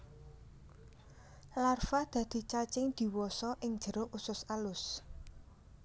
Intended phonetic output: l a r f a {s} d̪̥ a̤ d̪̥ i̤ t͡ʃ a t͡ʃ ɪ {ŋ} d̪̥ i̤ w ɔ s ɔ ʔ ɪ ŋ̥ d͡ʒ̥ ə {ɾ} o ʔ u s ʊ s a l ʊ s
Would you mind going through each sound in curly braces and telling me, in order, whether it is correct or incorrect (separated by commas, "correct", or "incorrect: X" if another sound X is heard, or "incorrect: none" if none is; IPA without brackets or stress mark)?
incorrect: none, correct, correct